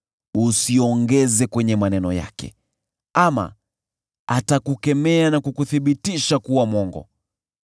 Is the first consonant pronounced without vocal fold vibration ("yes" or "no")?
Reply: yes